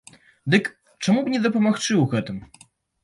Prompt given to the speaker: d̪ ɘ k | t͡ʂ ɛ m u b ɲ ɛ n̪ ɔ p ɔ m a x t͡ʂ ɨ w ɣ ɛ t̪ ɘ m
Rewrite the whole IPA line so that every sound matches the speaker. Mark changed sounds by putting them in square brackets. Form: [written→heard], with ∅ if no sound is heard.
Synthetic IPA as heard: d̪ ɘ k | t͡ʂ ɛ m u b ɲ ɛ [n̪→d̪] ɔ p ɔ m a x t͡ʂ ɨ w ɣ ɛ t̪ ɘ m